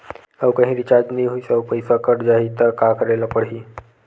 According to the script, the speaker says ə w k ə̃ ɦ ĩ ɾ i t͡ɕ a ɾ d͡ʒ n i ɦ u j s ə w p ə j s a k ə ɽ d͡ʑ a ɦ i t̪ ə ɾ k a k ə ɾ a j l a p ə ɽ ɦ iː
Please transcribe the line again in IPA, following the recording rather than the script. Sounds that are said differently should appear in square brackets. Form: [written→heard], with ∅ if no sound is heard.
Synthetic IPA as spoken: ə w k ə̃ ɦ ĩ ɾ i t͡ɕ a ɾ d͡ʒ n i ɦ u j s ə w p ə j s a k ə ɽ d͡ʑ a ɦ i t̪ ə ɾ k a k ə ɾ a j l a p ə ɽ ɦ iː